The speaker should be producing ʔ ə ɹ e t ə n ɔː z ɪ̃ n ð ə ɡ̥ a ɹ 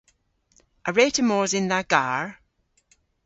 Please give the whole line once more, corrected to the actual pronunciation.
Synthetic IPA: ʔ ə ɹ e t ə m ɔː z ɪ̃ n ð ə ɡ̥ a ɹ

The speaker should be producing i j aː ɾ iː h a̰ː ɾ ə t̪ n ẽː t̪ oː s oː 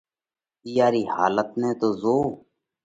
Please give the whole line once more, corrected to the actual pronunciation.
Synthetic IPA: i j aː ɾ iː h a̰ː l ə t̪ n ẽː t̪ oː z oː

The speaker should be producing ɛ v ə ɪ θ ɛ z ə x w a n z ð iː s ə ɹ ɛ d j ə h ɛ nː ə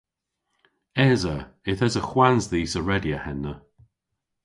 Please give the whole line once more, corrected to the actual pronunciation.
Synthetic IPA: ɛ z ə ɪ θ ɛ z ə x w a n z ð iː s ə ɹ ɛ d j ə h ɛ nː ə

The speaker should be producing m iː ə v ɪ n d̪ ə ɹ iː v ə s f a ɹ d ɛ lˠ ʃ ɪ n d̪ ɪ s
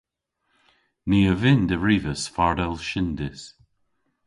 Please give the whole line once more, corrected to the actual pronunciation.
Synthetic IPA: n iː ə v ɪ n d̪ ə ɹ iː v ə s f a ɹ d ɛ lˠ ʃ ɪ n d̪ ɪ s

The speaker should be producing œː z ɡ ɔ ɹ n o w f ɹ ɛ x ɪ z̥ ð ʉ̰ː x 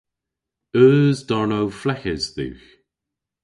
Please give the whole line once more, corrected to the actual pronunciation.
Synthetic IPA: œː z d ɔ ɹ n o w f l ɛ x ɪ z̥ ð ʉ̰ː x

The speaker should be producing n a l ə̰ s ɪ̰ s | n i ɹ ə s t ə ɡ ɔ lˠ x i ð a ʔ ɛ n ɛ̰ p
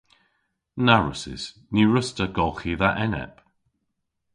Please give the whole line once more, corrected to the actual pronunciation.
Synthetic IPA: n a ɹ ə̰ s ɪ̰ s | n i ɹ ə s t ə ɡ ɔ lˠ x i ð a ʔ ɛ n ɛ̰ p

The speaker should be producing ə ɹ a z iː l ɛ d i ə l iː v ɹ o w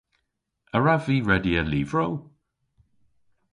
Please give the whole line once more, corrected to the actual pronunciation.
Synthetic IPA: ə ɹ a v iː ɹ ɛ d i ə l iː v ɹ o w

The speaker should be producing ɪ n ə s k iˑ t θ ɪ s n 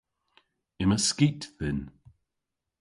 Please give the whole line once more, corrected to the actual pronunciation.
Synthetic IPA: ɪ m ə s k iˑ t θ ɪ n

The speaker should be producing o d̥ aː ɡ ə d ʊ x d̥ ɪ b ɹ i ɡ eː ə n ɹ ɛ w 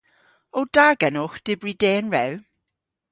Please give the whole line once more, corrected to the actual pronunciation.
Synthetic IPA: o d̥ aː ɡ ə n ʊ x d̥ ɪ b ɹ i d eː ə n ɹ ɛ w

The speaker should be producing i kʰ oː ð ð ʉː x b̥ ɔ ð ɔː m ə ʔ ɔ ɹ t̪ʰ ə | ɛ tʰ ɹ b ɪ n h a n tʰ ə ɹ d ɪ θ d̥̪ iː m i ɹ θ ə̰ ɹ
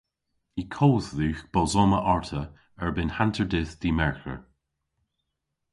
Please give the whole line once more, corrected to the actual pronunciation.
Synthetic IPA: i kʰ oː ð ð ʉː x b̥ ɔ z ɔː m ə ʔ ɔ ɹ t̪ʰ ə | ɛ ɹ b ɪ n h a n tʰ ə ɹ d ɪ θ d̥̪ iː m ɛ ɹ x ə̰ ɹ

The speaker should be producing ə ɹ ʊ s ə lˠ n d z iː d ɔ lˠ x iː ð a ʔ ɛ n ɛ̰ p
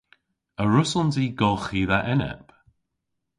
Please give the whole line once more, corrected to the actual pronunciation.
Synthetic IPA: ə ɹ ʊ s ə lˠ n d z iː ɡ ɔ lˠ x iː ð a ʔ ɛ n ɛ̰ p

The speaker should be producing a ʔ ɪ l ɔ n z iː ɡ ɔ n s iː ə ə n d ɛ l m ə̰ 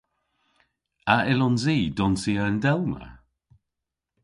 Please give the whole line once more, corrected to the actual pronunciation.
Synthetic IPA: a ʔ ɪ l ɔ n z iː d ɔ n s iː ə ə n d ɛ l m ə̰

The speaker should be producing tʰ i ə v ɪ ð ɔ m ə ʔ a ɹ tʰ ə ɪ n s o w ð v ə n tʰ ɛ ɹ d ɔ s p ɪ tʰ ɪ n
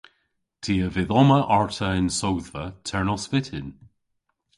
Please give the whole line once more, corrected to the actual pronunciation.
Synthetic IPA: tʰ i ə v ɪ ð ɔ m ə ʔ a ɹ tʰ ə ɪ n s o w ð v ə tʰ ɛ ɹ n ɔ s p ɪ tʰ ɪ n

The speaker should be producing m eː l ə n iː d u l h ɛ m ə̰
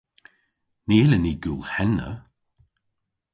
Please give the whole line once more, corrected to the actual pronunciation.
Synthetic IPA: n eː l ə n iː ɡ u l h ɛ n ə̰

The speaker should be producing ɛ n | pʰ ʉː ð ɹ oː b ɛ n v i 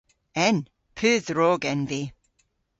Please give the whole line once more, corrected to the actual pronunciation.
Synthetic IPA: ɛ n | pʰ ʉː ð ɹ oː ɡ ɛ n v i

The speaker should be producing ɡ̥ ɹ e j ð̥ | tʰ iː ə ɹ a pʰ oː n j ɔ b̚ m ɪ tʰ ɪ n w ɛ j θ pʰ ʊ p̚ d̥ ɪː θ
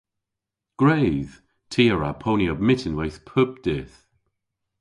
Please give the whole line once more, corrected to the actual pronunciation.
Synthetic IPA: ɡ̥ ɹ e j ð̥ | tʰ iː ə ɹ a pʰ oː n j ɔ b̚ m ɪ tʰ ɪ n w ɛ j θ pʰ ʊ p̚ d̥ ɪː θ

